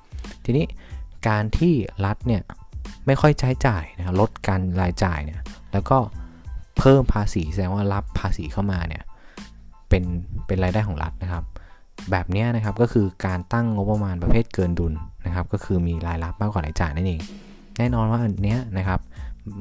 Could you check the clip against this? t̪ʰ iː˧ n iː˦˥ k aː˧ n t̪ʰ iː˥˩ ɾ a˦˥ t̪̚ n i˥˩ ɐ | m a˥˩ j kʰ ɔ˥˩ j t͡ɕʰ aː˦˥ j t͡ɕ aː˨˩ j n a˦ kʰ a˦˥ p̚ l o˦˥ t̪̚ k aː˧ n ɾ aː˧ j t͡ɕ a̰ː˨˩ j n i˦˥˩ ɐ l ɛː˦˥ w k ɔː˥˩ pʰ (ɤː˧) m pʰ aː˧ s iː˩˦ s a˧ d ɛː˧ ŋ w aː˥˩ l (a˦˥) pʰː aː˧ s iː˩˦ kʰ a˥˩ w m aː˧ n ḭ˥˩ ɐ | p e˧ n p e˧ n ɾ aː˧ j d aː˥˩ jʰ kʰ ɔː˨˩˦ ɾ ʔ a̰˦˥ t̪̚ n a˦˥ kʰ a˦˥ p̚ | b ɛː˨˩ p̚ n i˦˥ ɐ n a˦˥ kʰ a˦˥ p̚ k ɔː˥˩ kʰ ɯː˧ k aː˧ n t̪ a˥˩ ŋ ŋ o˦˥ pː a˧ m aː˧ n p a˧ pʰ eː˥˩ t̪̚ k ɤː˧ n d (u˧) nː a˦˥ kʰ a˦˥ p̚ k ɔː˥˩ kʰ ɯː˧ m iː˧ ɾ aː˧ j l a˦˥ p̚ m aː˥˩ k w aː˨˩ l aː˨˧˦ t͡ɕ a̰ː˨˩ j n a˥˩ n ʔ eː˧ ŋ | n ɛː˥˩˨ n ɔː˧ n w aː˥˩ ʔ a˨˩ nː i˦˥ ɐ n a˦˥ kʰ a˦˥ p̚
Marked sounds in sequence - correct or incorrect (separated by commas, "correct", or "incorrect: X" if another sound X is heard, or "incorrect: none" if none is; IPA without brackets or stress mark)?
incorrect: ɤː˥˩, correct, correct